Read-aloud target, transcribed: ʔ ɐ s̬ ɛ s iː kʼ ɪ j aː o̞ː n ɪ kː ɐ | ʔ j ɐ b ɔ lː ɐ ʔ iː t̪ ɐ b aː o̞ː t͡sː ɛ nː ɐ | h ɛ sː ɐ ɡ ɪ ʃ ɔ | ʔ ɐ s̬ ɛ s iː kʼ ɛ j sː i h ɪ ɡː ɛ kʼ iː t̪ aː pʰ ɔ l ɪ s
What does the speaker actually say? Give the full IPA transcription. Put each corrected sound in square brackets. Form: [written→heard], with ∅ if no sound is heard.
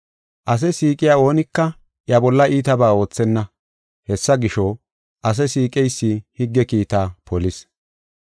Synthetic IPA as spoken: ʔ ɐ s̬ ɛ s iː kʼ ɪ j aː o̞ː n ɪ kː ɐ | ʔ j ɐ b ɔ lː ɐ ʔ iː t̪ ɐ b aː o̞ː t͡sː ɛ nː ɐ | h ɛ sː ɐ ɡ ɪ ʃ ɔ | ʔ ɐ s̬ ɛ s iː kʼ ɛ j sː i h ɪ ɡː ɛ [kʼ→k] iː t̪ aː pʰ ɔ l ɪ s

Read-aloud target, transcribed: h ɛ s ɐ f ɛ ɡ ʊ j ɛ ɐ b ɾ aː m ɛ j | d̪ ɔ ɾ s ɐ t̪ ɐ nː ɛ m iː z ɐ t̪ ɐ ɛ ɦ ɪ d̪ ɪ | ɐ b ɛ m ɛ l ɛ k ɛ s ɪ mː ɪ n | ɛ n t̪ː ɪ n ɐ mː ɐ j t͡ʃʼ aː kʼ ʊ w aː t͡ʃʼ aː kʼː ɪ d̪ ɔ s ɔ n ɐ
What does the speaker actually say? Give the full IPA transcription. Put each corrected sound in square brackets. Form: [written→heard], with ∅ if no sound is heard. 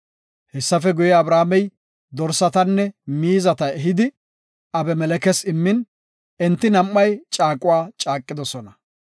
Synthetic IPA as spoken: h ɛ [s→sː] ɐ f ɛ ɡ ʊ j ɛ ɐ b ɾ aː m ɛ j | d̪ ɔ ɾ s ɐ t̪ ɐ nː ɛ m iː z ɐ t̪ ɐ ɛ ɦ ɪ d̪ ɪ | ɐ b ɛ m ɛ l ɛ k ɛ s ɪ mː ɪ n | ɛ n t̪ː ɪ n ɐ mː ɐ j t͡ʃʼ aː kʼ ʊ w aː t͡ʃʼ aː kʼː ɪ d̪ ɔ s ɔ n ɐ

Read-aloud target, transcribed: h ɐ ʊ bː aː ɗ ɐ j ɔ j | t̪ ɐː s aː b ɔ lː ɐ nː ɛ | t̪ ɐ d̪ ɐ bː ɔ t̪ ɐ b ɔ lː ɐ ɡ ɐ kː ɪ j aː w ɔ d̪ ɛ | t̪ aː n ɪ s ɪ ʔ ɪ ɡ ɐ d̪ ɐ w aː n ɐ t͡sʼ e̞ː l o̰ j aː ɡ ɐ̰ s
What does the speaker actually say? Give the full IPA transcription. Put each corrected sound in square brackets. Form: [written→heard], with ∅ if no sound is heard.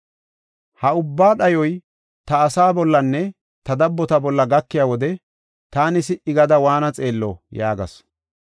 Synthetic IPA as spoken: h ɐ ʊ bː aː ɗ ɐ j ɔ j | t̪ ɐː s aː b ɔ lː ɐ nː ɛ | t̪ ɐ d̪ ɐ bː ɔ t̪ ɐ b ɔ lː ɐ ɡ ɐ kː ɪ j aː w ɔ d̪ ɛ | t̪ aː n ɪ s ɪ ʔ ɪ ɡ ɐ d̪ ɐ w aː n ɐ t͡sʼ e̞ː [l→lː] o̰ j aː ɡ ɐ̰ s

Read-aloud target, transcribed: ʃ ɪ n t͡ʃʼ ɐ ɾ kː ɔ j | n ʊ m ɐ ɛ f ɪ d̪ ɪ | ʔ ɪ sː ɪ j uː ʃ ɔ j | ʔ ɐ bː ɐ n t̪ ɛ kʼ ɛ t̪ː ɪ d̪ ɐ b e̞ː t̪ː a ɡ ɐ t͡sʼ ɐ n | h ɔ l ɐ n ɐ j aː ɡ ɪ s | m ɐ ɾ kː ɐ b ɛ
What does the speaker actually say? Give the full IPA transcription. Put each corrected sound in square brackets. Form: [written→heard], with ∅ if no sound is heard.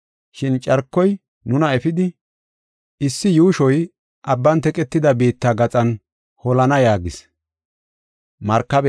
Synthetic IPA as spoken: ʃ ɪ n t͡ʃʼ ɐ ɾ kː ɔ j | n ʊ [m→n] ɐ ɛ f ɪ d̪ ɪ | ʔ ɪ sː ɪ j uː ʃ ɔ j | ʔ ɐ bː ɐ n t̪ ɛ kʼ ɛ t̪ː ɪ d̪ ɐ b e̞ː t̪ː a ɡ ɐ t͡sʼ ɐ n | h ɔ l ɐ n ɐ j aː ɡ ɪ s | m ɐ ɾ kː ɐ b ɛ

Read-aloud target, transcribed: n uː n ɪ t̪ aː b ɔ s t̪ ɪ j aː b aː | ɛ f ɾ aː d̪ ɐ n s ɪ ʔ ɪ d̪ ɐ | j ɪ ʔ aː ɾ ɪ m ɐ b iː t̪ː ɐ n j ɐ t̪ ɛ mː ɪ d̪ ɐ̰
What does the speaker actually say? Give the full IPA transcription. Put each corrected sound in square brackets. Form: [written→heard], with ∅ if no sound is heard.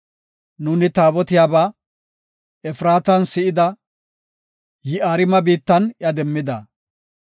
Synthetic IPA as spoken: n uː n ɪ t̪ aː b ɔ [s→∅] t̪ ɪ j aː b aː | ɛ f ɾ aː [d̪→t̪] ɐ n s ɪ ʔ ɪ d̪ ɐ | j ɪ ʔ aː ɾ ɪ m ɐ b iː t̪ː ɐ n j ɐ [t̪→d̪] ɛ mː ɪ d̪ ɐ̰

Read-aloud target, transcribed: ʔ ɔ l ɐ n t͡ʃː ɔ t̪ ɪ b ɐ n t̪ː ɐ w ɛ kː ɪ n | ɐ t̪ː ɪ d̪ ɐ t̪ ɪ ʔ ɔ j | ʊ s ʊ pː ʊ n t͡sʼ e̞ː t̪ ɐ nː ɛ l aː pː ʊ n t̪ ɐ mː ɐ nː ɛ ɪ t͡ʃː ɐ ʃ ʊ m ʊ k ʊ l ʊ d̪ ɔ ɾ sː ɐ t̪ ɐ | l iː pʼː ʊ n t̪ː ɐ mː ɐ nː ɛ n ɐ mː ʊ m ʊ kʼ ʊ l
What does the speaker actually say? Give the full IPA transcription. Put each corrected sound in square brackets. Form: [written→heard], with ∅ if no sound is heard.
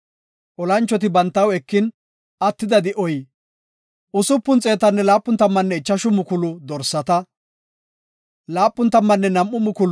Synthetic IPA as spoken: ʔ ɔ l ɐ n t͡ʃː ɔ t̪ ɪ b ɐ n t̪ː ɐ w ɛ kː ɪ n | ɐ t̪ː ɪ d̪ ɐ [t̪→d̪] ɪ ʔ ɔ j | ʊ s ʊ pː ʊ n t͡sʼ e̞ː t̪ ɐ nː ɛ l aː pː ʊ n t̪ ɐ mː ɐ nː ɛ ɪ t͡ʃː ɐ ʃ ʊ m ʊ k ʊ l ʊ d̪ ɔ ɾ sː ɐ t̪ ɐ | l [iː→aː] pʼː ʊ n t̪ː ɐ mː ɐ nː ɛ n ɐ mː ʊ m ʊ [kʼ→k] ʊ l

